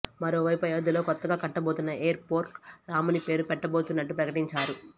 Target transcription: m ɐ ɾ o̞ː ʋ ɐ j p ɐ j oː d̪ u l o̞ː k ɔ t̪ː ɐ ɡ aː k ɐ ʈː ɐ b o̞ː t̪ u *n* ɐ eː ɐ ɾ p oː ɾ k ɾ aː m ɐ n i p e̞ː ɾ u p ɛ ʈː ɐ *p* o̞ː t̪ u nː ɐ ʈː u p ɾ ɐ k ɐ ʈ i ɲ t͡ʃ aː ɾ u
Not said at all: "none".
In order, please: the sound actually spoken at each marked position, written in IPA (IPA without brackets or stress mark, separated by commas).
nː, b